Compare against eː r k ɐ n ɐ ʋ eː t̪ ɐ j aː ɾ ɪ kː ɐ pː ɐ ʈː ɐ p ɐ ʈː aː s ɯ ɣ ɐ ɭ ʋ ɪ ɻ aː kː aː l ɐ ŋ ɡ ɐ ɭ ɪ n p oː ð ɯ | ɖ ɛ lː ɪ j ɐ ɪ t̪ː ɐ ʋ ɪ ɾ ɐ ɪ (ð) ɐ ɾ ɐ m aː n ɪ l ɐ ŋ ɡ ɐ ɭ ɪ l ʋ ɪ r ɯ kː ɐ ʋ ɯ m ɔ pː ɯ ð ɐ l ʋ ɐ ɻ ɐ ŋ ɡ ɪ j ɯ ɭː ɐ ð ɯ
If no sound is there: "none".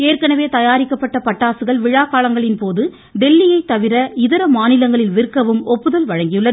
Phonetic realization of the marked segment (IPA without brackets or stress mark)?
ð